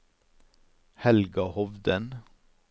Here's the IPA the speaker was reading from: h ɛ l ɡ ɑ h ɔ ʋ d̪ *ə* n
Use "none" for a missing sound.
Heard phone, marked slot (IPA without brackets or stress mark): ə